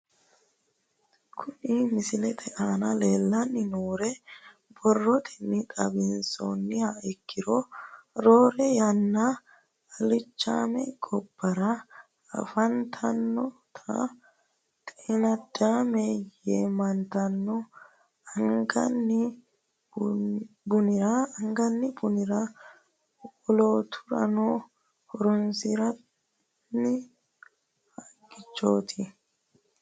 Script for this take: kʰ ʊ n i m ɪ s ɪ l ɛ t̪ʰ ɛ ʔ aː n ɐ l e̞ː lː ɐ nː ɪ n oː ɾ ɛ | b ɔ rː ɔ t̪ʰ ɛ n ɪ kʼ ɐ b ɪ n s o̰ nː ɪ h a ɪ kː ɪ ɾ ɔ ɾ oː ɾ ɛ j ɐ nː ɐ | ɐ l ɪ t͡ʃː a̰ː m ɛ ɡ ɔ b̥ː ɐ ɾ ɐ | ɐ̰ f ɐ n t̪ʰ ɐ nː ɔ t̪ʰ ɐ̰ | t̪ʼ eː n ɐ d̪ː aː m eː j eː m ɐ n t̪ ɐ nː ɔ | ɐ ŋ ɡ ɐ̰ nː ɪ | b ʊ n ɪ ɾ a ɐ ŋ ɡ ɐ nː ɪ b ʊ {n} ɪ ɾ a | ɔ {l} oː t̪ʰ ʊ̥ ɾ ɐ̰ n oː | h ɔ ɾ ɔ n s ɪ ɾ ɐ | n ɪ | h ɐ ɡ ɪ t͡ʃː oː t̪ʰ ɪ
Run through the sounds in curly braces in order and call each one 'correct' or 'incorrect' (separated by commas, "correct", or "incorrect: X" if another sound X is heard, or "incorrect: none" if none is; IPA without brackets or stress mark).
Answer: correct, correct